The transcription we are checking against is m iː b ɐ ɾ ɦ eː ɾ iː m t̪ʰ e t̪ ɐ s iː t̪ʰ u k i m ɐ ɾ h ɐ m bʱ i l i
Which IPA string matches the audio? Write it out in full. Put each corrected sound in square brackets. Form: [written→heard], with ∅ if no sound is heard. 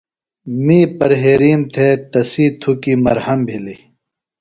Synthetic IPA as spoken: m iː [b→p] ɐ ɾ ɦ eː ɾ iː m t̪ʰ e t̪ ɐ s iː t̪ʰ u k i m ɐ ɾ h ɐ m bʱ i l i